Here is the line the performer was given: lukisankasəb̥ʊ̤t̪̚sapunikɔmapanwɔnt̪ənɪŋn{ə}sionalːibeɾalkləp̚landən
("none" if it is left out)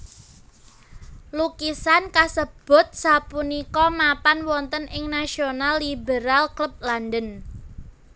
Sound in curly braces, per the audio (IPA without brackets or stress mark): a